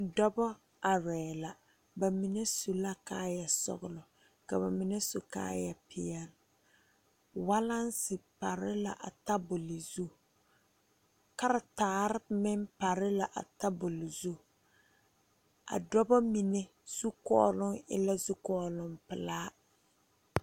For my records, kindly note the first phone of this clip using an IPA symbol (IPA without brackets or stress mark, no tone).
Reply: d